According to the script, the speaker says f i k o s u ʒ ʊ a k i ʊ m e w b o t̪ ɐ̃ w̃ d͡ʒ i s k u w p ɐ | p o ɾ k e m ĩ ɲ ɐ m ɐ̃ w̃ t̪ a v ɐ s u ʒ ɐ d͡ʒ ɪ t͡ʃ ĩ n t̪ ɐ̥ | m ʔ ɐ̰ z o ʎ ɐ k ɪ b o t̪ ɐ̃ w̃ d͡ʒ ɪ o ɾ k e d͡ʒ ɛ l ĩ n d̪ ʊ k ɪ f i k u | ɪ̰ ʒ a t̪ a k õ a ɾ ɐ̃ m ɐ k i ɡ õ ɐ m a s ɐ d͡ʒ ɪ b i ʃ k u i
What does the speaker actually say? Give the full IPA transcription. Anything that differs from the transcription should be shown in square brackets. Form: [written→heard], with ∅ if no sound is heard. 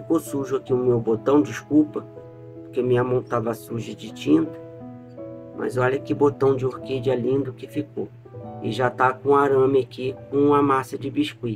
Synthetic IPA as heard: f i k o s u ʒ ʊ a k i ʊ m e w b o t̪ ɐ̃ w̃ d͡ʒ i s k u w p ɐ | p o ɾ k e m ĩ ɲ ɐ m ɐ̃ w̃ t̪ a v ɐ s u ʒ ɐ d͡ʒ ɪ t͡ʃ ĩ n t̪ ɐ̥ | m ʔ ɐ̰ z [o→ɔ] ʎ ɐ k ɪ b o t̪ ɐ̃ w̃ d͡ʒ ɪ o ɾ k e d͡ʒ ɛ l ĩ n d̪ ʊ k ɪ f i k [u→o] | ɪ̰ ʒ a t̪ a k õ a ɾ ɐ̃ m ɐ k i [ɡ→k] õ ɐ m a s ɐ d͡ʒ ɪ b i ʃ k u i

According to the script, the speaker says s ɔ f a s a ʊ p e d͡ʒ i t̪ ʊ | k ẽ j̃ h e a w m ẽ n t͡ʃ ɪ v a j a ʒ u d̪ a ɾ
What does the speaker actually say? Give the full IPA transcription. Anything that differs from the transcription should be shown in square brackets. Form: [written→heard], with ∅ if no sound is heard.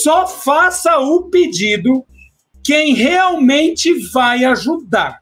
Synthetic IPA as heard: s ɔ f a s [a→ɐ] ʊ p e d͡ʒ i [t̪→d̪] ʊ | k ẽ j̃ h e a w m ẽ n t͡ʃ ɪ v a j a ʒ u d̪ a ɾ

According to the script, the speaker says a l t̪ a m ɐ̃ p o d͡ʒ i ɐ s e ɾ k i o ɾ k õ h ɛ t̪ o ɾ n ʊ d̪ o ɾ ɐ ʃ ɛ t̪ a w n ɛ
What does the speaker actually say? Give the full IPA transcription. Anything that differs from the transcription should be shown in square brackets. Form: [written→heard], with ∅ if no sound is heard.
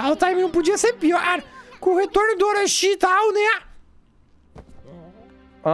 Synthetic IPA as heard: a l t̪ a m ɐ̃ p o d͡ʒ i ɐ s e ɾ [k→p] i [o→ɔ] ɾ k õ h [ɛ→e] t̪ o ɾ n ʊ d̪ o ɾ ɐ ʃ [ɛ→i] t̪ a w n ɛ

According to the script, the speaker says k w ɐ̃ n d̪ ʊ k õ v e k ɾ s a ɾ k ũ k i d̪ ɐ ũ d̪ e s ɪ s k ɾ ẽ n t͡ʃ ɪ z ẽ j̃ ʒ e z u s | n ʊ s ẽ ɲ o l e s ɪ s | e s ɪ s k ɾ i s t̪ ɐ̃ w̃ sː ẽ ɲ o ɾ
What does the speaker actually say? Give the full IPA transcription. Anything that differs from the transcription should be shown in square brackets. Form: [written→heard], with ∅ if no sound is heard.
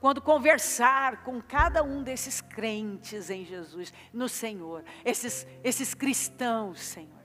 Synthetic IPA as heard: k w ɐ̃ n d̪ ʊ k õ v e [k→∅] ɾ s a ɾ k [ũ→õ] k [i→a] d̪ ɐ ũ d̪ e s ɪ s k ɾ ẽ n t͡ʃ ɪ z ẽ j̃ ʒ e z u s | n ʊ s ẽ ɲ o [l→ɾ] e s ɪ s | e s ɪ s k ɾ i s t̪ ɐ̃ w̃ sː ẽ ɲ o ɾ

